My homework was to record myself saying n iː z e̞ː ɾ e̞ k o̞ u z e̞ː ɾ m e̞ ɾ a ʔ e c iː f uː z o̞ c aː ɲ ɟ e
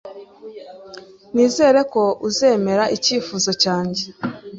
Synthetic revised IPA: n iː z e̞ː ɾ e̞ k o̞ u z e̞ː m e̞ ɾ a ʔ i c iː f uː z o̞ c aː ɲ ɟ e

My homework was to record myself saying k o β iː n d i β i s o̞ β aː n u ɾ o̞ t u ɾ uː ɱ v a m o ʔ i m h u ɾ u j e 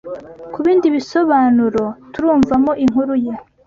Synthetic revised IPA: k u β iː n d i β i s o̞ β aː n u ɾ o̞ t u ɾ uː ɱ v a m o ʔ i ŋ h u ɾ u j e

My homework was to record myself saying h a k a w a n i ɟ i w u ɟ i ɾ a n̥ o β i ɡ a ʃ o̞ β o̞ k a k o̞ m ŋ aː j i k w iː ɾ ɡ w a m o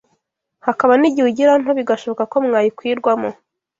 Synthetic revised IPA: h a k a β a n i ɟ i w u ɟ i ɾ a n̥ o β i ɡ a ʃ o̞ β o̞ k a k o̞ m ŋ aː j i k w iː ɾ ɡ w a m o

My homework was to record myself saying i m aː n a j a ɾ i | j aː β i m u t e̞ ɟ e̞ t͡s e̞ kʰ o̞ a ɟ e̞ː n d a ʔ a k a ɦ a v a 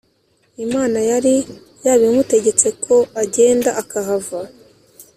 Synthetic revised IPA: i m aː n a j a ɾ i | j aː β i m u t e̞ ɟ e̞ t͡s e̞ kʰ o̞ a ɟ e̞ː n d a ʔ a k a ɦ a v a

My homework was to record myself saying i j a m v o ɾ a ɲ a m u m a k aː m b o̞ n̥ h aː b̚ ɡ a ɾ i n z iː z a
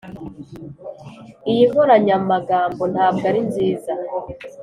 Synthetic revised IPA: i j i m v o ɾ a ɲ a m u m a ɡ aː m b o̞ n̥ h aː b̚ ɡ a ɾ i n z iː z a

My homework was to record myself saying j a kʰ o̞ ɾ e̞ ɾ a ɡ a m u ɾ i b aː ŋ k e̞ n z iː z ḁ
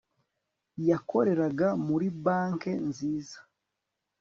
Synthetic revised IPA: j a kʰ o̞ ɾ e̞ ɾ a ɡ a m u ɾ i b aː ŋ k e̞ n z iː z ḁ

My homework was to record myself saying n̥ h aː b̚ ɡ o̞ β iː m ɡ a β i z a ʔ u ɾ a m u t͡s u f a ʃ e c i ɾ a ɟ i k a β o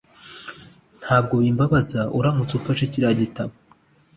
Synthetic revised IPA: n̥ h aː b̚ ɡ o̞ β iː m b a β a z a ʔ u ɾ a m u t͡s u f a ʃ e c i ɾ a ɟ i t a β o

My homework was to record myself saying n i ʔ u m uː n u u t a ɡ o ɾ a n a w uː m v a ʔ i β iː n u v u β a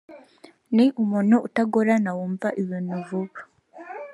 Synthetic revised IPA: n i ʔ u m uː n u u t a ɡ o ɾ a n a w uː m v a ʔ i β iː n u v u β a

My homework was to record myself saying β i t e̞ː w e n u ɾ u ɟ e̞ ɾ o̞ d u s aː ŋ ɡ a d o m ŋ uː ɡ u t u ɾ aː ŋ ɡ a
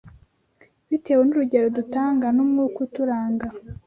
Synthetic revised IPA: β i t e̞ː w e n u ɾ u ɟ e̞ ɾ o̞ d u t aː ŋ ɡ a n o m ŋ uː k u t u ɾ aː ŋ ɡ a

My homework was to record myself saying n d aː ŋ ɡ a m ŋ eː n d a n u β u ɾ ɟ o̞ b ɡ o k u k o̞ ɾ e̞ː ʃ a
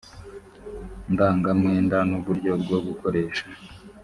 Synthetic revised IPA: n d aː ŋ ɡ a m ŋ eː n d a n u β u ɾ ɟ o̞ b ɡ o ɡ u k o̞ ɾ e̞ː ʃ a

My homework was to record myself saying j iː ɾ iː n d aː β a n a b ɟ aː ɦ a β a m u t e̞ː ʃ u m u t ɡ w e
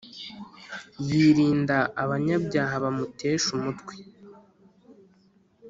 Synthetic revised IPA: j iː ɾ iː n d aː β a ɲ a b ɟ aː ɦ a β a m u t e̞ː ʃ u m u t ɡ w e

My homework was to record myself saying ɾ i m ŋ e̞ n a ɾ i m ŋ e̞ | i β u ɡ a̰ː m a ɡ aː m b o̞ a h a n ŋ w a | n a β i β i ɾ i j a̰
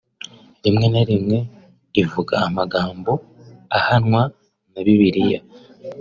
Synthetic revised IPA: ɾ i m ŋ e̞ n a ɾ i m ŋ e̞ | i v u ɡ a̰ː m a ɡ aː m b o̞ a h a n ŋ w a | n a β i β i ɾ i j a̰

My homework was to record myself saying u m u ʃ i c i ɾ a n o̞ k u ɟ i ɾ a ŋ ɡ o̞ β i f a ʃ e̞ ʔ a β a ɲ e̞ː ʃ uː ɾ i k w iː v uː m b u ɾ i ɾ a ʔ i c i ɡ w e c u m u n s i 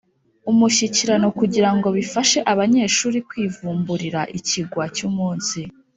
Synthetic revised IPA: u m u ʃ i c i ɾ a n o̞ k u ɟ i ɾ a ŋ ɡ o̞ β i f a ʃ e̞ ʔ a β a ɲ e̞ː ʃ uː ɾ i k w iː v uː m b u ɾ i ɾ a ʔ i c i ɡ w a c u m uː n s i

